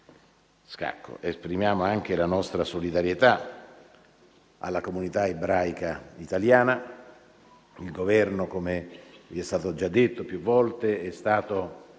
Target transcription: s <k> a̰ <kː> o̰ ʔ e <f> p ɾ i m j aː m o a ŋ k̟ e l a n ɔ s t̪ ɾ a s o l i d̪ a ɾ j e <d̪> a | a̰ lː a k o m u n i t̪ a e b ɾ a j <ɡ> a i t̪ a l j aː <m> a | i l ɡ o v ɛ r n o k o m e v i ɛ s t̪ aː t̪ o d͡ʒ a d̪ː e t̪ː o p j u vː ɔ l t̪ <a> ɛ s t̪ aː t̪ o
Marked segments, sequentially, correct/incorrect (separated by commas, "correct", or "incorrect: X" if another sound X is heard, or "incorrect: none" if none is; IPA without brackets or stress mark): correct, correct, incorrect: s, incorrect: t̪, incorrect: k, incorrect: n, incorrect: e